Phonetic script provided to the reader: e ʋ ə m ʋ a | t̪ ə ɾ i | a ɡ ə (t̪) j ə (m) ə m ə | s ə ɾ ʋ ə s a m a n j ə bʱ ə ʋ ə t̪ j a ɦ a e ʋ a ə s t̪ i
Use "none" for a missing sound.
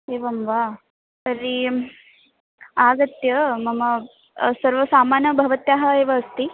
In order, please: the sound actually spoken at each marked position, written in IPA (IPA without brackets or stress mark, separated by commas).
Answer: t̪, m